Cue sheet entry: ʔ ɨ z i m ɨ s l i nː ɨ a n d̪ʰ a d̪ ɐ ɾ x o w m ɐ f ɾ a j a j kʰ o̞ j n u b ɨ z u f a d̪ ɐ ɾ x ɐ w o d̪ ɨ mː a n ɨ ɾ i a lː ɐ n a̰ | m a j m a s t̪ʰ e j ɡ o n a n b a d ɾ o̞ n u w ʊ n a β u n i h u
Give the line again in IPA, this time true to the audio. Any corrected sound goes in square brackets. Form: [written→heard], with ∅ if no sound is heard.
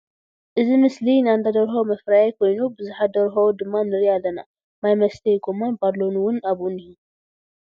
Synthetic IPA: ʔ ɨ z i m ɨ s l i [nː→n] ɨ a n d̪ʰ a d̪ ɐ ɾ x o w m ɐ f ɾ a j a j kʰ o̞ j n u b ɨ z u [f→ħ] a d̪ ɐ ɾ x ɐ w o d̪ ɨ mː a n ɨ ɾ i a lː ɐ n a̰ | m a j m [a→ɐ] s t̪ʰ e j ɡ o [n→m] a n b a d [ɾ→l] o̞ n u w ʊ n a β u n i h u